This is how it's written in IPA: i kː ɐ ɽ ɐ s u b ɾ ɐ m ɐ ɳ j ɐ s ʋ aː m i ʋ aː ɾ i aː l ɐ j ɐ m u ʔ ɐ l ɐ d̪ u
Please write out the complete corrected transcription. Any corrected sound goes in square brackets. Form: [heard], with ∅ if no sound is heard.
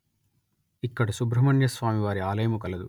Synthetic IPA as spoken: i kː ɐ ɽ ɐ s u b ɾ ɐ m ɐ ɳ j ɐ s ʋ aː m i ʋ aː ɾ i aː l ɐ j ɐ m u [k] ɐ l ɐ d̪ u